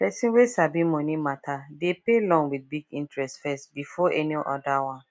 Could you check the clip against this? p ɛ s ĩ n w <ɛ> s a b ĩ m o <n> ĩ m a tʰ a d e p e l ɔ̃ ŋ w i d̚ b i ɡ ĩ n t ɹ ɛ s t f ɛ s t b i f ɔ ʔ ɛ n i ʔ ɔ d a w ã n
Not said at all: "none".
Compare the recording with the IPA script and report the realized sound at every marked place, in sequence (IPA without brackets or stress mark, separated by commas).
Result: e, n